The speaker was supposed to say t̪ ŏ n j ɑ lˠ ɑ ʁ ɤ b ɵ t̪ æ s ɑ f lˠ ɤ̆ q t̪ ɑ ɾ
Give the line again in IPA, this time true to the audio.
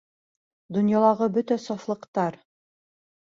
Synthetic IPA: d̪ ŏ n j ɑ lˠ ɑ ʁ ɤ b ɵ t̪ æ s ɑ f lˠ ɤ̆ q t̪ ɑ ɾ